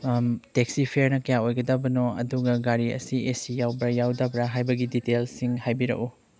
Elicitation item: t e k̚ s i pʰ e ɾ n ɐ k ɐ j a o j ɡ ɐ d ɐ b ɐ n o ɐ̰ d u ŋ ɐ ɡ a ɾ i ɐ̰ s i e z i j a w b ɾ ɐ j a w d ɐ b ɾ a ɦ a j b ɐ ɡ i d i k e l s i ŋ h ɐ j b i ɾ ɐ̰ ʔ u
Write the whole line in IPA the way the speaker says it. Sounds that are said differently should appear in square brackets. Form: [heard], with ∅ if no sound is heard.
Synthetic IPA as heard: t e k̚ s i pʰ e ɾ n ɐ k ɐ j a o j ɡ ɐ d ɐ b ɐ n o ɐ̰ d u [ɡ] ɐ ɡ a ɾ i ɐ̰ s i e [s] i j a w b ɾ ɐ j a w d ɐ b ɾ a ɦ a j b ɐ ɡ i d i [t] e l s i ŋ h [a] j b i ɾ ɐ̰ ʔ u